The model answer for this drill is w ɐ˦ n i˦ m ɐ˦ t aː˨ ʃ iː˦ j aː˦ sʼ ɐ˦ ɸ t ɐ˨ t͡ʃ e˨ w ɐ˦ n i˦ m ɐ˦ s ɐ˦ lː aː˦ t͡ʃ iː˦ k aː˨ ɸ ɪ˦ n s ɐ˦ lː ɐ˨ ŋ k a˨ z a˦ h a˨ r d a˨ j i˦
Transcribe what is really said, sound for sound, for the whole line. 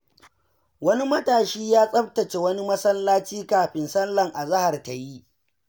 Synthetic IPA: w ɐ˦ n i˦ m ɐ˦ t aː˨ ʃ iː˦ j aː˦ sʼ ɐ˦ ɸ t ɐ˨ t͡ʃ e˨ w ɐ˦ n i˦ m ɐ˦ s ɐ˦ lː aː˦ t͡ʃ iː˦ k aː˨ ɸ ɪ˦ n s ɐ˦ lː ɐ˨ ŋ ʔ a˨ z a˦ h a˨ r t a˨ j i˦

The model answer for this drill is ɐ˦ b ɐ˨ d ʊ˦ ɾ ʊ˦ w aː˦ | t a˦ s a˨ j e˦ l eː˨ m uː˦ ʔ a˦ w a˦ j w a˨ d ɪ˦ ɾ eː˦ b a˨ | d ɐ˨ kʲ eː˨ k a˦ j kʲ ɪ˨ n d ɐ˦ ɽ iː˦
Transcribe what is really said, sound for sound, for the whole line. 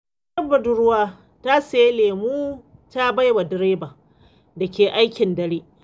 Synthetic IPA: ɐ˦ b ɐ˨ d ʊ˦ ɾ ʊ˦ w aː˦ | t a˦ s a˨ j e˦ l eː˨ m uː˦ t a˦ b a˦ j w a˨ d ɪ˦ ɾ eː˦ b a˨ | d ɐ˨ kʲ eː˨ ʔ a˦ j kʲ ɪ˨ n d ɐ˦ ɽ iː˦

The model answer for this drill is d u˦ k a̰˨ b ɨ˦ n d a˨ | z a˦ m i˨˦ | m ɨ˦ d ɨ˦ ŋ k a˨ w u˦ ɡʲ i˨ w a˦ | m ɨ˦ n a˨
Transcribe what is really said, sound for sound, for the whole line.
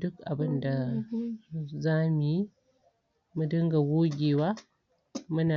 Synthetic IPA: d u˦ k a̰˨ b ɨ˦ n d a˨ | z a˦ m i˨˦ | m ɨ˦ d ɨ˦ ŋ ɡ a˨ w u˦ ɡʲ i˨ w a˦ | m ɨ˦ n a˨

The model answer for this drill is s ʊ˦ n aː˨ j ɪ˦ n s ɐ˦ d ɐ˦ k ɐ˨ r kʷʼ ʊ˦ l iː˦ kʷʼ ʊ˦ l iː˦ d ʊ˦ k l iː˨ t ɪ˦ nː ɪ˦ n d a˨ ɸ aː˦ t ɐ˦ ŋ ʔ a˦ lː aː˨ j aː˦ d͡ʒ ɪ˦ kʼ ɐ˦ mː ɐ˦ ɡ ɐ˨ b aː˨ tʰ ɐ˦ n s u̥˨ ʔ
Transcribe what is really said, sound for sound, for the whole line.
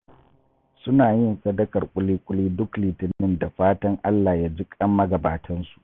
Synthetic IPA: s ʊ˦ n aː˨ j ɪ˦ n s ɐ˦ d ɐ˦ k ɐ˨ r kʷʼ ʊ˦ l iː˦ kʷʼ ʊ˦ l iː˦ d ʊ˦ k l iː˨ t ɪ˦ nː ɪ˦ n d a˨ ɸ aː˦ t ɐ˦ ŋ ʔ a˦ lː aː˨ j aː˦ d͡ʒ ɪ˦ kʼ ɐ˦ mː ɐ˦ ɡ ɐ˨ b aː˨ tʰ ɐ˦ n s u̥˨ ʔ

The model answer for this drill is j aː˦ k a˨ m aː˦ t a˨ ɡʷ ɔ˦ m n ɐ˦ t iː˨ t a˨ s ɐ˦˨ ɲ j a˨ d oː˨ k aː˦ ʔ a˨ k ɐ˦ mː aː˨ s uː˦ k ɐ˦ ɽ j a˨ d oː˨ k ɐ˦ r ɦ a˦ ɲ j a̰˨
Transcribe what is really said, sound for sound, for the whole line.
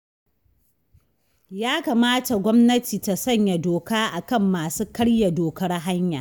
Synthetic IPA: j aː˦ k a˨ m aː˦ t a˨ ɡʷ ɔ˦ m n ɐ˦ t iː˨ t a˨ s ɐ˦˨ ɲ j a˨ d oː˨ k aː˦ ʔ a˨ k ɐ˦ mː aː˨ s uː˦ k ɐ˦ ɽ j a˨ d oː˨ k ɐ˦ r ɦ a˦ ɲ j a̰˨

